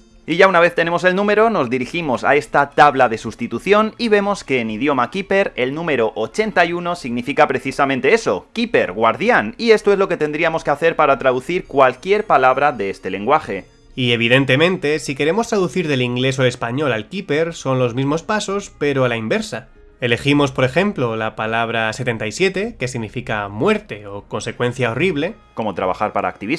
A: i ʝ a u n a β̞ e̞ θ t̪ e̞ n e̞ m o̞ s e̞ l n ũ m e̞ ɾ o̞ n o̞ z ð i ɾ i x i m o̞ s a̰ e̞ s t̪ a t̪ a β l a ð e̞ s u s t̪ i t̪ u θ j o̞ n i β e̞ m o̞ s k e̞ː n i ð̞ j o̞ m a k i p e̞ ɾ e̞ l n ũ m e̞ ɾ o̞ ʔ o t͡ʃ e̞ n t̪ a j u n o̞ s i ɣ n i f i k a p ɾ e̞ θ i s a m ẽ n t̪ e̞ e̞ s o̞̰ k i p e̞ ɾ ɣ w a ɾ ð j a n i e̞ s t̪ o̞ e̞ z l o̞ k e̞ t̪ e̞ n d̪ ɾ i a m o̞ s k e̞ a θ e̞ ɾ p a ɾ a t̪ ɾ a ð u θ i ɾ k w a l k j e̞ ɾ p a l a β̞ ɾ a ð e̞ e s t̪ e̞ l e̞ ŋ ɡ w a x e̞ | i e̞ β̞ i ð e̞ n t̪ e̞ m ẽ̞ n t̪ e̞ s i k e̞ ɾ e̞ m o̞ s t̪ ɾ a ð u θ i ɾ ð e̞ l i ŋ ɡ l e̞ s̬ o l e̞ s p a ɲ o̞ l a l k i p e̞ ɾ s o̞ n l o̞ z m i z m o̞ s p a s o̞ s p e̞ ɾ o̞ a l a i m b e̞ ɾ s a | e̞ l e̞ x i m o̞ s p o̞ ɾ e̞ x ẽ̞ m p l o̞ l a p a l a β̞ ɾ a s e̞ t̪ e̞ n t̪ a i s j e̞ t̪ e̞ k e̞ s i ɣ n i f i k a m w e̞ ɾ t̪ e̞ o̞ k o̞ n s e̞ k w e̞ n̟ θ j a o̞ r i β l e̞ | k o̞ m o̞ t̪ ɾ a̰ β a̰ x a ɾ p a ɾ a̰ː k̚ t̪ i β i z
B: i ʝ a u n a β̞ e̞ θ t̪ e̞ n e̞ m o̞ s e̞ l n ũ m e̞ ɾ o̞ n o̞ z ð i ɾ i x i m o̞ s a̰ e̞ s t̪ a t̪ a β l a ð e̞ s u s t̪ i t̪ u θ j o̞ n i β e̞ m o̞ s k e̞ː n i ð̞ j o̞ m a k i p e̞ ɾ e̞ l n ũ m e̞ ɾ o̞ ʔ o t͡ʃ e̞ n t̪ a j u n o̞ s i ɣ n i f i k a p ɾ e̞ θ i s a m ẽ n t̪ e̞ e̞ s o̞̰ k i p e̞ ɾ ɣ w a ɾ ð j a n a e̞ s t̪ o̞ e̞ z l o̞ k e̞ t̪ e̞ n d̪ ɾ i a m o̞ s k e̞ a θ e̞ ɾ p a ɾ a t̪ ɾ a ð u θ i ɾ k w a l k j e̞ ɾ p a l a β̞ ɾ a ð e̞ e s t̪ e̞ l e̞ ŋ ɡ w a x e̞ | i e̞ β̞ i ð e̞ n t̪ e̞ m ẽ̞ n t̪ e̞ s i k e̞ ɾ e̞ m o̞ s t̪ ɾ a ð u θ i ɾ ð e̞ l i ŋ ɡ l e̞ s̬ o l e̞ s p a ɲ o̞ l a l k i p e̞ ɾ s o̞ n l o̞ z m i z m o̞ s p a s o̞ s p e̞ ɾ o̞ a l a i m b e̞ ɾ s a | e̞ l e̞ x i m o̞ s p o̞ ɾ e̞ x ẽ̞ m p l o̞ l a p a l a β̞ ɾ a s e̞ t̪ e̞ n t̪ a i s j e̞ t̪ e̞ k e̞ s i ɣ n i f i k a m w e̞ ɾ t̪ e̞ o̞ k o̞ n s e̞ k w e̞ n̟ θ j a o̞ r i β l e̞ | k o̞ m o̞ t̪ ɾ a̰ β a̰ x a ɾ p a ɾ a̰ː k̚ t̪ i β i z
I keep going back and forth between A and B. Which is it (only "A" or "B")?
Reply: A